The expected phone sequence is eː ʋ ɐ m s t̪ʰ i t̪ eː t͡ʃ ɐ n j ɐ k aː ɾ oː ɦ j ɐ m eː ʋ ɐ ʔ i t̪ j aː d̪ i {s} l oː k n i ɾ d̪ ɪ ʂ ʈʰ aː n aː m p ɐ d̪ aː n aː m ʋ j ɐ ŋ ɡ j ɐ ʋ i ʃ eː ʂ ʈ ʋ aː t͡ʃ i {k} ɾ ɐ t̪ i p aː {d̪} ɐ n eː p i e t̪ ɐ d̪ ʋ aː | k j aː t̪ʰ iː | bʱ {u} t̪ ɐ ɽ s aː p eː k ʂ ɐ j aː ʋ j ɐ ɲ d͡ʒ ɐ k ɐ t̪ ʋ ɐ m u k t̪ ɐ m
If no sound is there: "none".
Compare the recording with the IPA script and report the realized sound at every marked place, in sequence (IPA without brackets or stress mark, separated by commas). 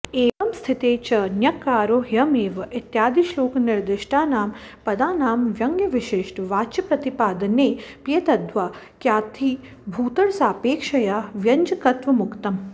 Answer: ʃ, p, d̪, uː